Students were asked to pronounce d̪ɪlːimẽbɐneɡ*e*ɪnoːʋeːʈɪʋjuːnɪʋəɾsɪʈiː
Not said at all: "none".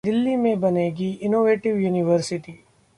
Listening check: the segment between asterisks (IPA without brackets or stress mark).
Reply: i